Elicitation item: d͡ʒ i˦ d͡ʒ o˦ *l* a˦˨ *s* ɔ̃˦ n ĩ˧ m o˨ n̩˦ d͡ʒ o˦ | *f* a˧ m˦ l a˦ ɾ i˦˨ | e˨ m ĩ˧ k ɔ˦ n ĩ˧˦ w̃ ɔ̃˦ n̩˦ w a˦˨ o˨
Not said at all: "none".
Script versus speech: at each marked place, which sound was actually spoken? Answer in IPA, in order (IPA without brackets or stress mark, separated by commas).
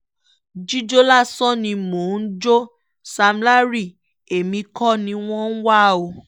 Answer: l, s, s